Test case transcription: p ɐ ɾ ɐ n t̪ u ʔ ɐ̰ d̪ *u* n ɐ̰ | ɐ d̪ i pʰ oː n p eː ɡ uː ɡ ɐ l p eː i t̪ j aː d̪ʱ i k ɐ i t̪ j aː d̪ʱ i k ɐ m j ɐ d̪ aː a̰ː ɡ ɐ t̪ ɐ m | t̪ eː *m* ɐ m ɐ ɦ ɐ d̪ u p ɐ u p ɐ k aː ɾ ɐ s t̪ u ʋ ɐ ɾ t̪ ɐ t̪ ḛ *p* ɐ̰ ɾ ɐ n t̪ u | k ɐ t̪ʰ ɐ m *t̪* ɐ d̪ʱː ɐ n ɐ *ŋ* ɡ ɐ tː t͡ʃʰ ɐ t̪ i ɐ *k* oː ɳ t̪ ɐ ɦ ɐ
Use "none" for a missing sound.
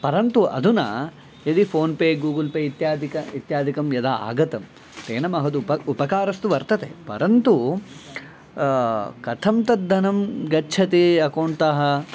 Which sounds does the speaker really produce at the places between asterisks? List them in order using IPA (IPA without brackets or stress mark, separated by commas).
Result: u, n, p, t̪, m, k